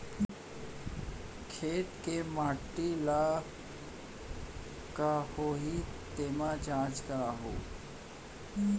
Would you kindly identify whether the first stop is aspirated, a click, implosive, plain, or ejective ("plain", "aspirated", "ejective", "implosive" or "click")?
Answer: aspirated